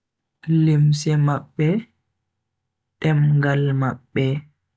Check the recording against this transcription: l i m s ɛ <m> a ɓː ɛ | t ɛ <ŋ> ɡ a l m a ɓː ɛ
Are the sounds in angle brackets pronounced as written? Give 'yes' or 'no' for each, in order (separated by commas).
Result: yes, no